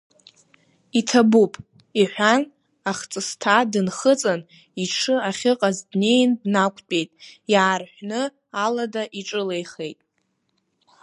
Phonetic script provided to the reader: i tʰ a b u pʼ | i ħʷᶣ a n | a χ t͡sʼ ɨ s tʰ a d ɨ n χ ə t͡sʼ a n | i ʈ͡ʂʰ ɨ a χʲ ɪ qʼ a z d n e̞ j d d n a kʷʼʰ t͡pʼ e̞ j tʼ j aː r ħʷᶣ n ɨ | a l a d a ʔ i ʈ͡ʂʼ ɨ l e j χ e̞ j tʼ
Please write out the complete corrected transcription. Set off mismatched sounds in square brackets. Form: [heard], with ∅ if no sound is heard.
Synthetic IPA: i tʰ a b u pʼ | i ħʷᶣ a n | a χ t͡sʼ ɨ s tʰ a d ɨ n χ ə t͡sʼ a n | i ʈ͡ʂʰ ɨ a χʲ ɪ qʼ a z d n e̞ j [n] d n a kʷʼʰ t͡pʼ e̞ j tʼ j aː r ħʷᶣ n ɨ | a l a d a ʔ i ʈ͡ʂʼ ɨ l e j χ e̞ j tʼ